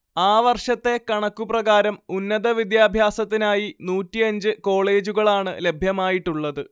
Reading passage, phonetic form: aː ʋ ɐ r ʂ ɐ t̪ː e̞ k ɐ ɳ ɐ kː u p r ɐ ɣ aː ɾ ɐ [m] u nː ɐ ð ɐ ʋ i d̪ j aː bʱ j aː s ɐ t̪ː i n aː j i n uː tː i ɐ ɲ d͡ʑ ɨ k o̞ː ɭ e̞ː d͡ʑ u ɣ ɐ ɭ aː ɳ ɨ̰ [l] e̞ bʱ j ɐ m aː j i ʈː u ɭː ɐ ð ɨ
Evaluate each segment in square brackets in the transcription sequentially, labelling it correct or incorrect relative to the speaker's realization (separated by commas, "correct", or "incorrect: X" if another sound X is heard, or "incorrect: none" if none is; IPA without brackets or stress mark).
correct, correct